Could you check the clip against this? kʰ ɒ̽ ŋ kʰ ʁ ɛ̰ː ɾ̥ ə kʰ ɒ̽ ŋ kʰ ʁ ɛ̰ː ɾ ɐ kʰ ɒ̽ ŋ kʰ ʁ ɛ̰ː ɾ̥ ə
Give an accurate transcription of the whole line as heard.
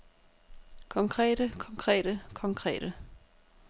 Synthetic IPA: kʰ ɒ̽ ŋ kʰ ʁ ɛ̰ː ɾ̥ ə kʰ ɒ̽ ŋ kʰ ʁ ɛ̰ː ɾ ə kʰ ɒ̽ ŋ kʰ ʁ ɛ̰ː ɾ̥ ə